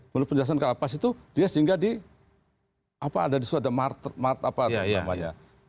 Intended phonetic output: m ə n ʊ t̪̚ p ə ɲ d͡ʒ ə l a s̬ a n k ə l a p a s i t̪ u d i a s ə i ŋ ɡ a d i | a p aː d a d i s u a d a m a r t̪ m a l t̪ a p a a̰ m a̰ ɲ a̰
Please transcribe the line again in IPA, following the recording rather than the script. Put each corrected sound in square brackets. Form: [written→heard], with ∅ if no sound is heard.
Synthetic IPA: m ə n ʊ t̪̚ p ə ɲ d͡ʒ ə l a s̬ a n k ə l a p a s i t̪ u d i a s ə i ŋ ɡ a d i | a p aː d a d i s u a d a m a r t̪ m a [l→r] t̪ a p a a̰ m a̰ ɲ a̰